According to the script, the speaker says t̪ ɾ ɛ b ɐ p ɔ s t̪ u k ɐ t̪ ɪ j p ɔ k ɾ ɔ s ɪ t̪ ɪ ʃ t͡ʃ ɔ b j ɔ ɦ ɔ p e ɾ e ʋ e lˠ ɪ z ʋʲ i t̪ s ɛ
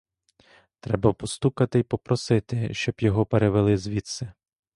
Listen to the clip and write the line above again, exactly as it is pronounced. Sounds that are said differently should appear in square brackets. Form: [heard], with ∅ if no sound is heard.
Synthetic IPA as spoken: t̪ ɾ ɛ b ɐ p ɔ s t̪ u k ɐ t̪ ɪ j p ɔ [p] ɾ ɔ s ɪ t̪ ɪ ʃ t͡ʃ ɔ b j ɔ ɦ ɔ p e ɾ e ʋ e lˠ ɪ z ʋʲ i t̪ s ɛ